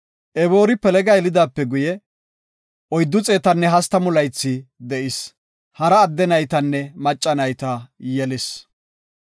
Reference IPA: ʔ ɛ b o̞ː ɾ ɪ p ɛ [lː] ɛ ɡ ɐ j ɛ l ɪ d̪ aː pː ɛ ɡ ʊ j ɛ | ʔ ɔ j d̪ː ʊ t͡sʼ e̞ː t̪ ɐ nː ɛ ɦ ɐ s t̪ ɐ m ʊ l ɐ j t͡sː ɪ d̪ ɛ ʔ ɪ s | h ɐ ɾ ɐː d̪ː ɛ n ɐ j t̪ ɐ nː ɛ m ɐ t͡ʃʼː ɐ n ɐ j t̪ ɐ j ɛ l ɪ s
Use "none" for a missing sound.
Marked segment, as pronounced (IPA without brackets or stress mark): l